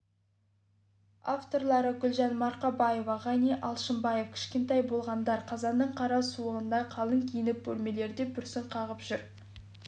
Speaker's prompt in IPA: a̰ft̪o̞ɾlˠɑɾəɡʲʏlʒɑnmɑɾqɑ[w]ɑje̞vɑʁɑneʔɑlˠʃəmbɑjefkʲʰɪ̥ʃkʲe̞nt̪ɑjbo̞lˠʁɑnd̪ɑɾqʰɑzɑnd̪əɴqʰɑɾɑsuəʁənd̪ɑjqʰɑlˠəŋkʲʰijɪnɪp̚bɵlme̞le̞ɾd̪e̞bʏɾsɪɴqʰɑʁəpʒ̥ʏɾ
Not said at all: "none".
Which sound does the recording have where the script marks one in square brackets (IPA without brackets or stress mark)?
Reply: b